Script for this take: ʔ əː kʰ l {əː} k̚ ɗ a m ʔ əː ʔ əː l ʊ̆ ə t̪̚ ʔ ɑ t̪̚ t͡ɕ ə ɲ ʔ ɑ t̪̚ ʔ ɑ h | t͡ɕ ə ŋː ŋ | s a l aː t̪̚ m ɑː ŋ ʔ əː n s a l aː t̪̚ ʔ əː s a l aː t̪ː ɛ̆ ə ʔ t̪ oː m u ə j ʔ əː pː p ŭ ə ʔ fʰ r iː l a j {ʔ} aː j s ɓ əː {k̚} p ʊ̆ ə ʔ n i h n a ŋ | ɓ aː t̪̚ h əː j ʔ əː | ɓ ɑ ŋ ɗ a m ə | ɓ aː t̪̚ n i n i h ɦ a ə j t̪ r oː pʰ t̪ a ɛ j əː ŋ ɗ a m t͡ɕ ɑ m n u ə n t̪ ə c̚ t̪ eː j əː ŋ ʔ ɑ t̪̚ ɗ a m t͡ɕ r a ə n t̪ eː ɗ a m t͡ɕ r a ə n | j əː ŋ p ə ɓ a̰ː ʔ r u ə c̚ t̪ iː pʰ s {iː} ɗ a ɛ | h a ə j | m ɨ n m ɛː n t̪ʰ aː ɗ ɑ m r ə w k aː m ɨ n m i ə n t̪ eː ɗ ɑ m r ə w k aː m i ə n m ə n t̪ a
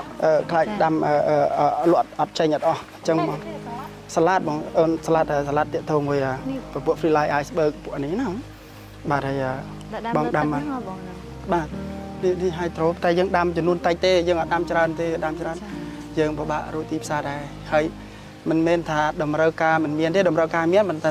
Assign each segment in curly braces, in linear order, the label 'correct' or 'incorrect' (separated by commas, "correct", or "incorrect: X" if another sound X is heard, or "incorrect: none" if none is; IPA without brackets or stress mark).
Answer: incorrect: aː, correct, correct, incorrect: aː